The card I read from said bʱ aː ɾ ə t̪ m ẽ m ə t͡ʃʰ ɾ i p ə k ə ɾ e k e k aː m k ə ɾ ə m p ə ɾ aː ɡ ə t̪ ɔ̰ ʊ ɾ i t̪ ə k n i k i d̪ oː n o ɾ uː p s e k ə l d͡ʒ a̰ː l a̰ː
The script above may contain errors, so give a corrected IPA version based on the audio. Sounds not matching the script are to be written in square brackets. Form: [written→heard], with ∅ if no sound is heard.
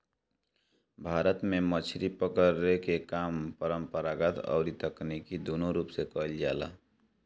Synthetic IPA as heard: bʱ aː ɾ ə t̪ m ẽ m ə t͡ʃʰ ɾ i p ə k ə ɾ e k e k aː m [k→p] ə ɾ ə m p ə ɾ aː ɡ ə t̪ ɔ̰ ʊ ɾ i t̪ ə k n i k i d̪ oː n o ɾ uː p s e k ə l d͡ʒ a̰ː l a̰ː